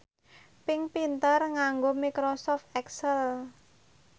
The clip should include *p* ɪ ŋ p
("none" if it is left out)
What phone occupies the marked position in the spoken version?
p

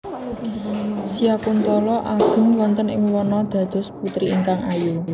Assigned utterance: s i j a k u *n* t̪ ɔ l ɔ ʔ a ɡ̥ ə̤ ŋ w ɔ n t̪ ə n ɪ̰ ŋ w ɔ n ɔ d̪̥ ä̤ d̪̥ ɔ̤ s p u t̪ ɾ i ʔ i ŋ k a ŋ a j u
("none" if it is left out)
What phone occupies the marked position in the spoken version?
n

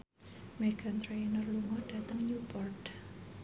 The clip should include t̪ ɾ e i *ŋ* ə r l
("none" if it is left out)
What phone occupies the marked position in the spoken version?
n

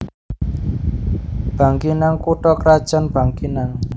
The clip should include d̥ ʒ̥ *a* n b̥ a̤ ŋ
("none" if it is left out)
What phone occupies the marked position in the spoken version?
a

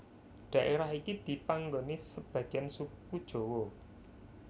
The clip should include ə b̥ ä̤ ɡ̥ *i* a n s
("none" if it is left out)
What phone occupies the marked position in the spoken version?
i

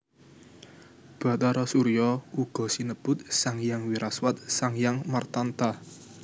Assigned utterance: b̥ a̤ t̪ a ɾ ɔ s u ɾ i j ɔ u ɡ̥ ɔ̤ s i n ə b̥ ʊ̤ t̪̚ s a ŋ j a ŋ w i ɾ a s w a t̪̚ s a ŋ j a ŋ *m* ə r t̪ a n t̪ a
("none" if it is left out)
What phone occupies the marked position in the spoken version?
m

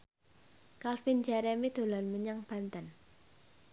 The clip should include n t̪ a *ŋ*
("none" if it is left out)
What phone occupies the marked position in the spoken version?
n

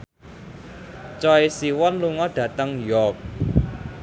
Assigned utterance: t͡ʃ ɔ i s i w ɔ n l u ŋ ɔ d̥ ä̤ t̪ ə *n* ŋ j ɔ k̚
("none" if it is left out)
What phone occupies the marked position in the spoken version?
none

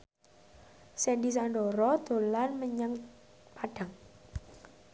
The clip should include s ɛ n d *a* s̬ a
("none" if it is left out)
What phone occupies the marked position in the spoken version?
i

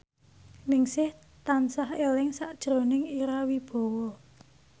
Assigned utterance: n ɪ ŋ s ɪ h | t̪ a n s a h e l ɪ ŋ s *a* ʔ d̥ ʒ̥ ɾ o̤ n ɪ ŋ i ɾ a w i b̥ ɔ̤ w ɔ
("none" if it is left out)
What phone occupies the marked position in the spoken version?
a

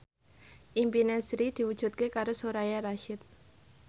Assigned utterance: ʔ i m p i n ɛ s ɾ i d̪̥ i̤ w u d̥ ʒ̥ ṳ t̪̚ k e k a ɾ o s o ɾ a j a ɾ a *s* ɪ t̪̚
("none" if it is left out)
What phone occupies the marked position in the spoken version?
ʃ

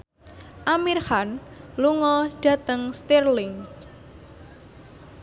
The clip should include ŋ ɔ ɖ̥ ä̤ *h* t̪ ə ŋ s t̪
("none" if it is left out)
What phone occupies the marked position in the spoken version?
none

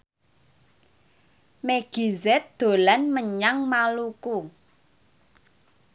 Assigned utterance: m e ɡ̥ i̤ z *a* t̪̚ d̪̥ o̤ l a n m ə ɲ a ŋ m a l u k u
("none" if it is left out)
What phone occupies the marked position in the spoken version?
ɛ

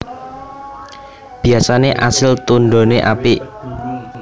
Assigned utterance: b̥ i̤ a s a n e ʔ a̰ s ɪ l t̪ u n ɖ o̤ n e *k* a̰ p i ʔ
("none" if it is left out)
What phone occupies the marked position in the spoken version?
ʔ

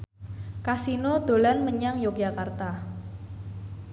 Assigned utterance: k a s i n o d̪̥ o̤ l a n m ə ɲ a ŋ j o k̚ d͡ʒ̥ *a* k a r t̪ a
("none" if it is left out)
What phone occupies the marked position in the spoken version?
a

